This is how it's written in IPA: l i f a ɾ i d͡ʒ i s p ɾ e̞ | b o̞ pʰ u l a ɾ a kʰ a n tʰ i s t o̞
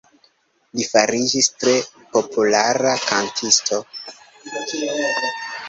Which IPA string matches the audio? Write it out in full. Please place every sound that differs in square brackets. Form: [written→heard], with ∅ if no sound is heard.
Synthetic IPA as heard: l i f a ɾ i d͡ʒ i s [p→t] ɾ e̞ | [b→p] o̞ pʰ u l a ɾ a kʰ a n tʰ i s t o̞